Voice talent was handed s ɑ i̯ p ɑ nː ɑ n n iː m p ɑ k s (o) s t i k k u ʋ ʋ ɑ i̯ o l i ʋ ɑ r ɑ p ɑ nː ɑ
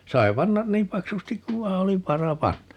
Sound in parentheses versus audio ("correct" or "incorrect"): incorrect